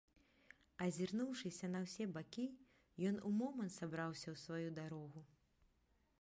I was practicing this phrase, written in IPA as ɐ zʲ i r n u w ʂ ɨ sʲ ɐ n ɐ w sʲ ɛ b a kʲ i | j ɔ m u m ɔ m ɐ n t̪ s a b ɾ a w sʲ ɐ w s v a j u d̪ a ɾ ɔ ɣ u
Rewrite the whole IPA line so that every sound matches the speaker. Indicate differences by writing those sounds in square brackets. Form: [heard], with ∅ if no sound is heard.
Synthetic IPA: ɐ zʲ i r n u w ʂ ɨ sʲ ɐ n ɐ w sʲ ɛ b a kʲ i | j ɔ [n] u m ɔ m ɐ n t̪ s a b ɾ a w sʲ ɐ w s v a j u d̪ a ɾ ɔ ɣ u